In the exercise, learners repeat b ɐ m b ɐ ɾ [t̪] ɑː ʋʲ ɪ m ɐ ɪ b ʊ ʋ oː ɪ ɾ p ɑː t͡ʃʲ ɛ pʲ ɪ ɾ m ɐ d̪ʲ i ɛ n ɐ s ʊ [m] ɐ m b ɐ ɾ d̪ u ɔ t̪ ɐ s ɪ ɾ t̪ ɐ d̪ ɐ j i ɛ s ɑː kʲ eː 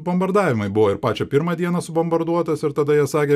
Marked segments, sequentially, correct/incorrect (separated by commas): incorrect, incorrect